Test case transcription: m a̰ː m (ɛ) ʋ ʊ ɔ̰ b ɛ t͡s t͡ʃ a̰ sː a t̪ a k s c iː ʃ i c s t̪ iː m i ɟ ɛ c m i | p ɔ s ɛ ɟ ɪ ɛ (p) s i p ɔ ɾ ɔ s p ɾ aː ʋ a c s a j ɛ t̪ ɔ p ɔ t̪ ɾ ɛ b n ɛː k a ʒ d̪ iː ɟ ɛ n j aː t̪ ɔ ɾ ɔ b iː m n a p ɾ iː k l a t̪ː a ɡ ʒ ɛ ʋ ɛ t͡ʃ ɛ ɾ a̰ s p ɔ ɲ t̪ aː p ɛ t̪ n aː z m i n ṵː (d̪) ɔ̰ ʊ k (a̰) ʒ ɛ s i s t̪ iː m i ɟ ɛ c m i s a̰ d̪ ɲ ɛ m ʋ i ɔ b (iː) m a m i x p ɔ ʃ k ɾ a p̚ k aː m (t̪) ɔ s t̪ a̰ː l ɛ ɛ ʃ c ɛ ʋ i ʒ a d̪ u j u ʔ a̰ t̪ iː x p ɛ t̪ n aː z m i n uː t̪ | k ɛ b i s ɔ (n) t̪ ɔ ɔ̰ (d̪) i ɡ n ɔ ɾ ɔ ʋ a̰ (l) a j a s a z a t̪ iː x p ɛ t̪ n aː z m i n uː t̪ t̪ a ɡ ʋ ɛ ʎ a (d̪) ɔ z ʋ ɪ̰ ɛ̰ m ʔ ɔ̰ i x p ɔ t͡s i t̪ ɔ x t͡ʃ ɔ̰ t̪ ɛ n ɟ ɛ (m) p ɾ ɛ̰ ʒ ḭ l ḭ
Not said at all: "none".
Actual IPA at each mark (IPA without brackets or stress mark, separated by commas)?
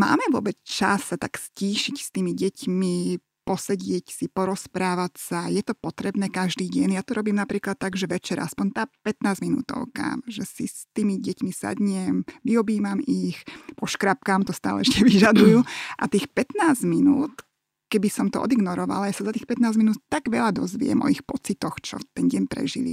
ɛ, c, t̪, a̰, iː, t̪, m, d̪, l, d̪, ɲ